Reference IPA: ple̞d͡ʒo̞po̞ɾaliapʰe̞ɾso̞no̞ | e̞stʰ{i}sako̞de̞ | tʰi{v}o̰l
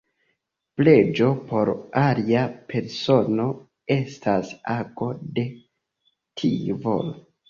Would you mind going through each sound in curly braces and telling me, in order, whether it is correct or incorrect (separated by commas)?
incorrect, correct